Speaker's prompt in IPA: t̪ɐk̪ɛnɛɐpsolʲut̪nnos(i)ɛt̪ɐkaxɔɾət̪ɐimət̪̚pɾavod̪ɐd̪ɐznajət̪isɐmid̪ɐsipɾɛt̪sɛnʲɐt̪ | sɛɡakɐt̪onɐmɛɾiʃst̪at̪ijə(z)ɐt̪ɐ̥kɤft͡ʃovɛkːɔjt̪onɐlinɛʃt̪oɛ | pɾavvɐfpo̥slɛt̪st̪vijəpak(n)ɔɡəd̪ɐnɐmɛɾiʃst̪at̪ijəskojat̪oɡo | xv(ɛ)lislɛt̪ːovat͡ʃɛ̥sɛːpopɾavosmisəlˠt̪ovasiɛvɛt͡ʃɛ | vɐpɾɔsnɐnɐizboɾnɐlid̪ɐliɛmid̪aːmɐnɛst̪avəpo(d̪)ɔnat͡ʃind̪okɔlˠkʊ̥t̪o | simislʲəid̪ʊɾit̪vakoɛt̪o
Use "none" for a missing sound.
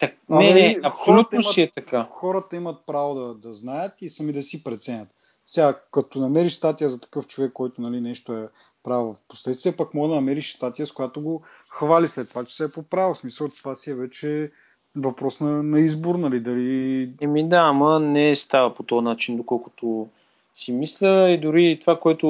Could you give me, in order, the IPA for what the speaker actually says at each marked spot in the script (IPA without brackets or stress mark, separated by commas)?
i, z, m, a, t̪